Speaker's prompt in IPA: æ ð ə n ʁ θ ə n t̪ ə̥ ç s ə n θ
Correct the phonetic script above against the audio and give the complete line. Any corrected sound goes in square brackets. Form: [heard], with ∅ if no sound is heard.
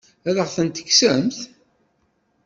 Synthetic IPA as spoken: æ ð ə [∅] ʁ θ ə n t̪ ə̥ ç s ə [m] θ